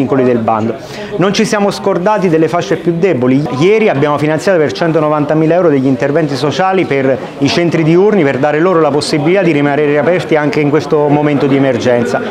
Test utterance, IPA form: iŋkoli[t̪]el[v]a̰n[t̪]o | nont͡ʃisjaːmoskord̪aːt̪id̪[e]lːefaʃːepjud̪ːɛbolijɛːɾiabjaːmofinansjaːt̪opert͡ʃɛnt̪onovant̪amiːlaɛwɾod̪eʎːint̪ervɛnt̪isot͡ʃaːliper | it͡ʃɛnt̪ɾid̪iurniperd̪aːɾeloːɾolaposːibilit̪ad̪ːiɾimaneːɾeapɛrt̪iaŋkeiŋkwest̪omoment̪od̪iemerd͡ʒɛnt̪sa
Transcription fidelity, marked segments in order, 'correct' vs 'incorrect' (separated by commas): incorrect, incorrect, incorrect, correct